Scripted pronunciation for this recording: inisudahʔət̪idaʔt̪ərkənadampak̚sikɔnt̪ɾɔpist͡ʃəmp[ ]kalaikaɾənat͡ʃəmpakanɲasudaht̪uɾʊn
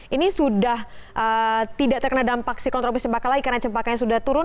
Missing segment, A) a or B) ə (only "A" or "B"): A